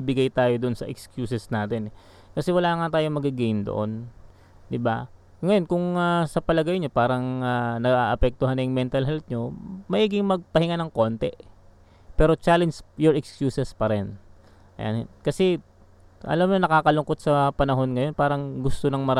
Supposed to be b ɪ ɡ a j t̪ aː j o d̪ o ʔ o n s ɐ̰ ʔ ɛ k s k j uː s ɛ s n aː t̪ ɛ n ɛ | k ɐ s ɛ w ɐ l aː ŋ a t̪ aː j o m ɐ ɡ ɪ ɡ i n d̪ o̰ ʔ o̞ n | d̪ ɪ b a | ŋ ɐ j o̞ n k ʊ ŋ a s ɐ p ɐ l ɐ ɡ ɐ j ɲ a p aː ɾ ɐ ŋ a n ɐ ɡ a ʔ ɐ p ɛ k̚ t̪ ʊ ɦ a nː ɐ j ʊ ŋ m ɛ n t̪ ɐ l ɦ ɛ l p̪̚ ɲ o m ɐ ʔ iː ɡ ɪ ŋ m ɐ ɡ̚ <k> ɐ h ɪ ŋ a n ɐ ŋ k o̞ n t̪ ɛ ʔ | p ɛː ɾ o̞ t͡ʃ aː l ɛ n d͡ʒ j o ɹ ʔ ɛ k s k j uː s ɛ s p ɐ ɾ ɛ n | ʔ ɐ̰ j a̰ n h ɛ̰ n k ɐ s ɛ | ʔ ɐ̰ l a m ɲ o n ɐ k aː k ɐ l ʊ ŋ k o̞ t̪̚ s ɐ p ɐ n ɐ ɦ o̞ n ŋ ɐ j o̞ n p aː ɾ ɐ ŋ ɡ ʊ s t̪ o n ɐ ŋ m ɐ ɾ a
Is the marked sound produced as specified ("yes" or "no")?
no